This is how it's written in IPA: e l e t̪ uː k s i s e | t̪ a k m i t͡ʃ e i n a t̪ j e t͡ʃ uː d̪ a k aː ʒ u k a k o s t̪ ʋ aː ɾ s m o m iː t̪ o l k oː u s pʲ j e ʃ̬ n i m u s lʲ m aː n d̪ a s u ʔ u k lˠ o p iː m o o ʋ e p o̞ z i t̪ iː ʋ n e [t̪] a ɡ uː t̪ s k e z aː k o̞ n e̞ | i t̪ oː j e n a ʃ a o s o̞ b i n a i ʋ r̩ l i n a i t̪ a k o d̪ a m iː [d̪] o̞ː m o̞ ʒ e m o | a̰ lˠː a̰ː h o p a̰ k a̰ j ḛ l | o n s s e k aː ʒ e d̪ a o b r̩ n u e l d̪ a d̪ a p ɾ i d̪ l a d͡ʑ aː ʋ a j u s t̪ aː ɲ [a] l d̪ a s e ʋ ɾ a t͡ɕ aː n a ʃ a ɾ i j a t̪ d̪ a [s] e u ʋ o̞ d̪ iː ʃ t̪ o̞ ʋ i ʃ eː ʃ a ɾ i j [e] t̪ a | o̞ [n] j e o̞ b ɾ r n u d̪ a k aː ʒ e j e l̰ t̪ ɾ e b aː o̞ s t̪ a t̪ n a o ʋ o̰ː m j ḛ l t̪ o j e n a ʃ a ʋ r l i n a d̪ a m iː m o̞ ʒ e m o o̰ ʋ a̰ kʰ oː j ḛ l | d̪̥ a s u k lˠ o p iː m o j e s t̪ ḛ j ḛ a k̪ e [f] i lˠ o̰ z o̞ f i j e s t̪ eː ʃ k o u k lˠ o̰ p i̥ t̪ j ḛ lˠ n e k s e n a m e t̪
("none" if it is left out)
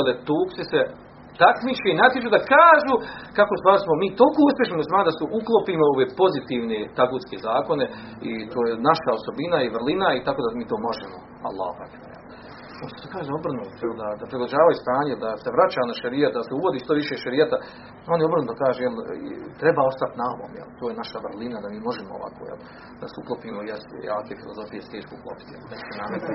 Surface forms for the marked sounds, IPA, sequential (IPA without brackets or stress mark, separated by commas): t̪, t̪, e, s, a, n, f